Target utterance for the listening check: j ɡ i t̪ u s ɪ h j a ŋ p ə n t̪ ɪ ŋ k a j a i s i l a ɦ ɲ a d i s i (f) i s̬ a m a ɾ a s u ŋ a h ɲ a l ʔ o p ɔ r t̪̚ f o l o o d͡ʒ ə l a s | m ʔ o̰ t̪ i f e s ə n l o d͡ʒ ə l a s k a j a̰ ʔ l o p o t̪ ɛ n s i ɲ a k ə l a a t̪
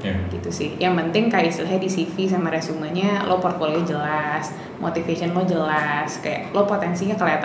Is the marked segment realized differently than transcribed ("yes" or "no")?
no